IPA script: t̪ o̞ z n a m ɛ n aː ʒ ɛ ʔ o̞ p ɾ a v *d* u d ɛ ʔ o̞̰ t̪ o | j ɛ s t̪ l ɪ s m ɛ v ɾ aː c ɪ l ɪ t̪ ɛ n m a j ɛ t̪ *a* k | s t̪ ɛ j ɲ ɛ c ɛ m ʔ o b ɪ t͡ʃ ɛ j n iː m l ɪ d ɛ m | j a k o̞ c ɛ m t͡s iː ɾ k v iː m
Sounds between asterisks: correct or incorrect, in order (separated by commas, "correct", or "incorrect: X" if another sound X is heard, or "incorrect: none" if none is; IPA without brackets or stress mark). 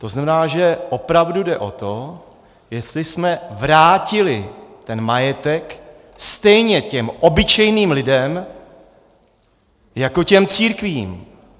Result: correct, incorrect: ɛ